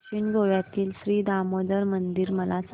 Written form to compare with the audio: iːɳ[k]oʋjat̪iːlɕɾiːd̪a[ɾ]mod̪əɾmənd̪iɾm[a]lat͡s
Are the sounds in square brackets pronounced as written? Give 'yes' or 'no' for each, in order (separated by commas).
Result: no, no, no